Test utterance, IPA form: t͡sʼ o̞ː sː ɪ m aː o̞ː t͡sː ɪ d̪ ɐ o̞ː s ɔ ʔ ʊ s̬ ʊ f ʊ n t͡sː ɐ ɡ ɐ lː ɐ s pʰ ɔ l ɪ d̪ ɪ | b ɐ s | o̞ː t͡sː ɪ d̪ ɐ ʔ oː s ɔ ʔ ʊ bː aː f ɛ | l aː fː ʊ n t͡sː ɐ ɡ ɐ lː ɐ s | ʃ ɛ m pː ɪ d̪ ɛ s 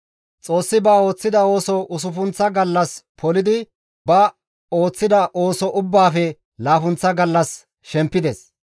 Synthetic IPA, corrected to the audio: t͡sʼ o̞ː sː ɪ b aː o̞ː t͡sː ɪ d̪ ɐ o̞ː s ɔ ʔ ʊ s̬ ʊ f ʊ n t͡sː ɐ ɡ ɐ lː ɐ s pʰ ɔ l ɪ d̪ ɪ | b ɐ | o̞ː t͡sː ɪ d̪ ɐ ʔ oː s ɔ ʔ ʊ bː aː f ɛ | l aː f ʊ n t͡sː ɐ ɡ ɐ lː ɐ s | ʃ ɛ m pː ɪ d̪ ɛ s